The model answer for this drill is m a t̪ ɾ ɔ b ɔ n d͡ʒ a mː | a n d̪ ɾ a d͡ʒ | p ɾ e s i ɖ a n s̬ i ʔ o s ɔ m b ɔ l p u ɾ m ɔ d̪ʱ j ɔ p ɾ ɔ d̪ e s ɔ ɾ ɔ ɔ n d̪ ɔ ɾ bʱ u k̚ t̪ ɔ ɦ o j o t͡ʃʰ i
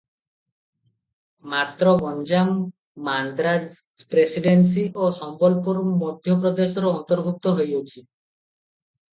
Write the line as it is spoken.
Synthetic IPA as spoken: m a t̪ ɾ ɔ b ɔ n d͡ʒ a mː | a n d̪ ɾ a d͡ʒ | p ɾ e s i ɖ e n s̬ i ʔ o s ɔ m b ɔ l p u ɾ m ɔ d̪ʱ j ɔ p ɾ ɔ d̪ e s ɔ ɾ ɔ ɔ n t̪ ɔ ɾ bʱ u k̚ t̪ ɔ ɦ o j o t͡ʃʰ i